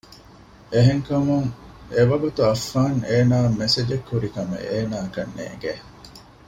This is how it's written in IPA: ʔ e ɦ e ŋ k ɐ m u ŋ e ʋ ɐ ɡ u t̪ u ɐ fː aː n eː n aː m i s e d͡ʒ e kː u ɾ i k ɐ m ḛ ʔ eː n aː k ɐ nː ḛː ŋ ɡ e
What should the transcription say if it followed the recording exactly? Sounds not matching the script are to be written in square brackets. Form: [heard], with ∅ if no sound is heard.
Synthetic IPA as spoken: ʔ e ɦ e ŋ k ɐ m u ŋ e ʋ ɐ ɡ u t̪ u ɐ fː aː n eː n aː m [e] s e d͡ʒ e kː u ɾ i k ɐ m ḛ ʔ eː n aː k ɐ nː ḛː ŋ ɡ e